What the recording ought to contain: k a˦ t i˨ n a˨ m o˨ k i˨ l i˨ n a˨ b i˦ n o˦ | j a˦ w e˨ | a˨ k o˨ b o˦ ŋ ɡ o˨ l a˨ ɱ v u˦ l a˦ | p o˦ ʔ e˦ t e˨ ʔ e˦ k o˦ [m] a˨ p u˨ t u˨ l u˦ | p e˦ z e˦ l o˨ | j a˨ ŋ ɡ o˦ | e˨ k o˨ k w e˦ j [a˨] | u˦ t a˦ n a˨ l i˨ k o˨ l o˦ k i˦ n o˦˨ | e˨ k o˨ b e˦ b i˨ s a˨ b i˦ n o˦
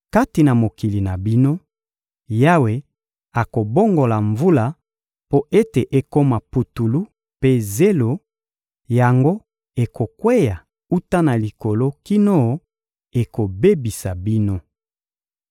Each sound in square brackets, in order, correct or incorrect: correct, correct

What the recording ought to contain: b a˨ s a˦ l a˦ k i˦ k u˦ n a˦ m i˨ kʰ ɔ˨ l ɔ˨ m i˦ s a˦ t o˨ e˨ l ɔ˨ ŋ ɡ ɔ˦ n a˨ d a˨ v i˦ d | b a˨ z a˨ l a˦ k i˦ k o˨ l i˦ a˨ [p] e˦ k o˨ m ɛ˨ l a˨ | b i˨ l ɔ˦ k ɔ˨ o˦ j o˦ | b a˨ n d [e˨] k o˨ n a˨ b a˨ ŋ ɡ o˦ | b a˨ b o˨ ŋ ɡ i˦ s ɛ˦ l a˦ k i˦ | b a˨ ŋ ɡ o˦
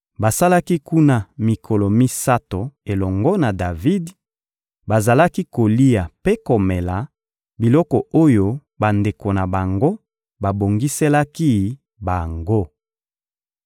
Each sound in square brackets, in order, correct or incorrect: correct, correct

